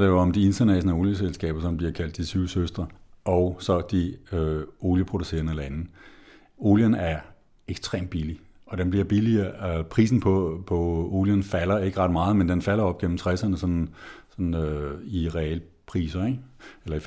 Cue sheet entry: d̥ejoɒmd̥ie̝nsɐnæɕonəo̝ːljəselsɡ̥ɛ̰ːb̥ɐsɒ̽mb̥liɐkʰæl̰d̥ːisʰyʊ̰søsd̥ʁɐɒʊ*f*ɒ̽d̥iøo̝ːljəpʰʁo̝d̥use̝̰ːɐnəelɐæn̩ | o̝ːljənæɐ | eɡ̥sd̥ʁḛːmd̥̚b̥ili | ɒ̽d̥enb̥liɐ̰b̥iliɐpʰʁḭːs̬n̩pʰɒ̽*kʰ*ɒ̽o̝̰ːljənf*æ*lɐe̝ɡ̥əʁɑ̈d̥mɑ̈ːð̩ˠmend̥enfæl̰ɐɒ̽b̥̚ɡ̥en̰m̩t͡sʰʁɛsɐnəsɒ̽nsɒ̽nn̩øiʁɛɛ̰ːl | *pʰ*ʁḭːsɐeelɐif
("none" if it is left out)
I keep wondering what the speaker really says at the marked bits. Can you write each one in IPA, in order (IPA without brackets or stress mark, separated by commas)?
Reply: s, pʰ, æ, pʰ